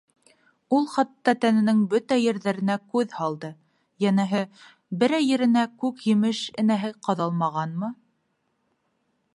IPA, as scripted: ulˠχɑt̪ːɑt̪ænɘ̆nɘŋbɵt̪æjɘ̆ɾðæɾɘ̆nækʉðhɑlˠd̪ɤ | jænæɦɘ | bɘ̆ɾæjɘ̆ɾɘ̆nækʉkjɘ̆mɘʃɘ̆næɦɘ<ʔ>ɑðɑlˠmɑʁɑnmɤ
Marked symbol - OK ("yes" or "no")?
no